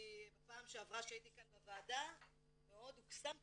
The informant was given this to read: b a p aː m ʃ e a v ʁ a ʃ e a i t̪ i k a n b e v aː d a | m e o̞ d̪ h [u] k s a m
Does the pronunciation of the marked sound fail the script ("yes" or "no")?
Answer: no